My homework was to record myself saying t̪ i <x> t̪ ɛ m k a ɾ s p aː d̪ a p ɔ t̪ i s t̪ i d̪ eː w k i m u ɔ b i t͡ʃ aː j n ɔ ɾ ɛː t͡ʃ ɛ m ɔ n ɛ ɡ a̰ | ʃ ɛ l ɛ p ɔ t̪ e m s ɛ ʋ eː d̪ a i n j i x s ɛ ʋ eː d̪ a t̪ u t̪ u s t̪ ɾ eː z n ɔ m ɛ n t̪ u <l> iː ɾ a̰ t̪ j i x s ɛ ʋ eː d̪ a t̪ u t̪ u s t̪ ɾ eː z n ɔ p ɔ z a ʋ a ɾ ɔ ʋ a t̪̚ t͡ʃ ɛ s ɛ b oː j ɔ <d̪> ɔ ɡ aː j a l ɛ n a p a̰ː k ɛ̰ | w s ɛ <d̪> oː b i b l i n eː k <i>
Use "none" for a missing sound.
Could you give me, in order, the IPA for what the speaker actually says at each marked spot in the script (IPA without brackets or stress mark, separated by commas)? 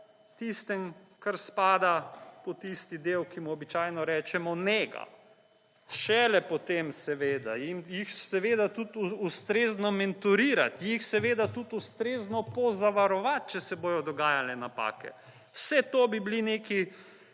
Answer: s, ɾ, d̪, t̪, i